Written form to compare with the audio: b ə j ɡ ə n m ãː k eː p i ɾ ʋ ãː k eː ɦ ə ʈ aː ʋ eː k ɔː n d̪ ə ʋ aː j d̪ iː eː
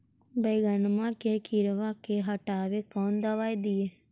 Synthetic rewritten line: b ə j ɡ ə n m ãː k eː k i ɾ ʋ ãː k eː ɦ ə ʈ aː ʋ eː k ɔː n d̪ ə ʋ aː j d̪ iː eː